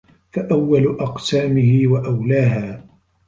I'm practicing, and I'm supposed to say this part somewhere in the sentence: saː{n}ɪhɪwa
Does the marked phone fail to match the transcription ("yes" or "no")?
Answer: yes